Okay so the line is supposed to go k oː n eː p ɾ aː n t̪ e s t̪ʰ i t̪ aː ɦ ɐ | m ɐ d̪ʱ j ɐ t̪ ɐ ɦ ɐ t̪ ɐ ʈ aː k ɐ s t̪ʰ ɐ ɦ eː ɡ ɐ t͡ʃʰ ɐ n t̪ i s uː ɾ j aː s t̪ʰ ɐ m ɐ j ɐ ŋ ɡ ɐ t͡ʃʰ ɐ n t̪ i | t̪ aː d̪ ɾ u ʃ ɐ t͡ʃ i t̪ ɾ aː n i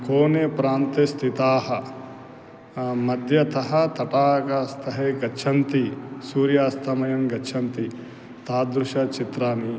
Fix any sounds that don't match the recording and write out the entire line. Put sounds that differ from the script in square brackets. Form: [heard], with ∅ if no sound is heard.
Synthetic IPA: k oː n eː p ɾ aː n t̪ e s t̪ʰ i t̪ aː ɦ ɐ | m ɐ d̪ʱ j ɐ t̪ ɐ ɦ ɐ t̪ ɐ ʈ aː k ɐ s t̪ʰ ɐ ɦ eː ɡ ɐ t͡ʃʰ ɐ n t̪ i s uː ɾ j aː s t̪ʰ ɐ m ɐ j ɐ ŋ ɡ ɐ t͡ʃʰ ɐ n t̪ i | t̪ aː d̪ ɾ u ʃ ɐ t͡ʃ i t̪ ɾ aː n i